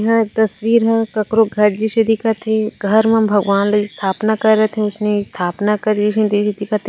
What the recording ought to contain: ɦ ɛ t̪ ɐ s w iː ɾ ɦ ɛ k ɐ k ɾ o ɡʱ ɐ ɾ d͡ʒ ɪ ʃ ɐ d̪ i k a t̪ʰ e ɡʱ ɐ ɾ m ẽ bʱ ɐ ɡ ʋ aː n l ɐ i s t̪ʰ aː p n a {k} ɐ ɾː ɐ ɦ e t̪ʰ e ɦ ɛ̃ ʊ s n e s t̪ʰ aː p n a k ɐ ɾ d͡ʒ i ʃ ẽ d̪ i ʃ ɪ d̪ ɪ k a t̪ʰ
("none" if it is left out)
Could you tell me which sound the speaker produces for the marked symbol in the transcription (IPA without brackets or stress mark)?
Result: k